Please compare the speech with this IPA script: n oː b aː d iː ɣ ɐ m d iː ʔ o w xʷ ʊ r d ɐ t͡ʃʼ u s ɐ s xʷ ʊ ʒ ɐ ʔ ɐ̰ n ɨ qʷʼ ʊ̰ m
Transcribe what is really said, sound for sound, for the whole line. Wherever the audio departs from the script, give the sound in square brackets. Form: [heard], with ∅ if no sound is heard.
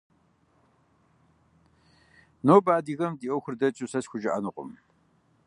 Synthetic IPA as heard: n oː b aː d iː ɣ ɐ m d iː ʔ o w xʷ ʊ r d ɐ t͡ʃʼ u s ɐ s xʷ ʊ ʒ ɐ ʔ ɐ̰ n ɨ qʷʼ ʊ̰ m